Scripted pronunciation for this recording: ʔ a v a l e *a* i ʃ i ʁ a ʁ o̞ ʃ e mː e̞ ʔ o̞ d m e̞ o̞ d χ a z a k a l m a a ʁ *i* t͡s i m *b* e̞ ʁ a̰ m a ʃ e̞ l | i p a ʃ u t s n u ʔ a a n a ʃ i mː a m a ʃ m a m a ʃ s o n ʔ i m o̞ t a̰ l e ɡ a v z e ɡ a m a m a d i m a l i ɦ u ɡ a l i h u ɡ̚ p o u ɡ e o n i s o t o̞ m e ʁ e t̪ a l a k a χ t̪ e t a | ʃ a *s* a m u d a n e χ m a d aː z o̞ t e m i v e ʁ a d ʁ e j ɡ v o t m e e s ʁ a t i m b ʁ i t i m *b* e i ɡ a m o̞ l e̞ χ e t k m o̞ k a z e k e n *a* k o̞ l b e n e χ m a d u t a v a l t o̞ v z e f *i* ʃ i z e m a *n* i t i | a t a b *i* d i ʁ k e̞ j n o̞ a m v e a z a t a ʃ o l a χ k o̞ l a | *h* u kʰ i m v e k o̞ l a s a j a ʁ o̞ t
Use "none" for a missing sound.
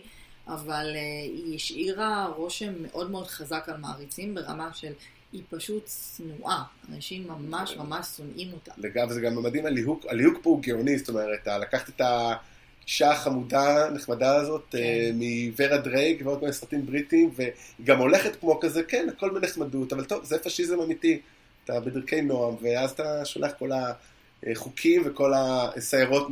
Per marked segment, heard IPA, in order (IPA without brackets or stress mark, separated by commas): i, i, b, χ, v, a, a, m, e, χ